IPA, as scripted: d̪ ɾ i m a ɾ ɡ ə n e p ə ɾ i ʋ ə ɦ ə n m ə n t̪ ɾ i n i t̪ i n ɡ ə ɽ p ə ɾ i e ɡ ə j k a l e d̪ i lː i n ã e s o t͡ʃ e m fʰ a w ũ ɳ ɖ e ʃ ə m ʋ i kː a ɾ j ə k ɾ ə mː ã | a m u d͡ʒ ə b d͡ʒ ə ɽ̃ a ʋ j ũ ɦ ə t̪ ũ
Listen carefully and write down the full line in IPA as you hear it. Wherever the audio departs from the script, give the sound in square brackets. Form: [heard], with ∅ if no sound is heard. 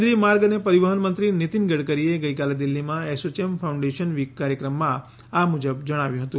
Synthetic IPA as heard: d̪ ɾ i m a ɾ ɡ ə n e p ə ɾ i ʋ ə ɦ ə n m ə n t̪ ɾ i n i t̪ i n ɡ ə ɽ [k] ə ɾ i e ɡ ə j k a l e d̪ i lː i [m] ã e s o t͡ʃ e m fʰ a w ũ ɳ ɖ e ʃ ə [n] ʋ i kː a ɾ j ə k ɾ ə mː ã | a m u d͡ʒ ə b d͡ʒ ə ɽ̃ a ʋ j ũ ɦ ə t̪ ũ